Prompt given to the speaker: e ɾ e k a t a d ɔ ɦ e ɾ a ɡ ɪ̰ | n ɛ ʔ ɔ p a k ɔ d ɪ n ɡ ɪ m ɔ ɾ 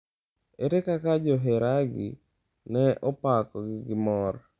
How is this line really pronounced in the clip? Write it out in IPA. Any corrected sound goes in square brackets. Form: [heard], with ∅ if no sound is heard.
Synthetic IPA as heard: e ɾ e k a [k] a [d͡ʒ] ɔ ɦ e ɾ a ɡ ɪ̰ | n ɛ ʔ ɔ p a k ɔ [ɡ] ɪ [∅] ɡ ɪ m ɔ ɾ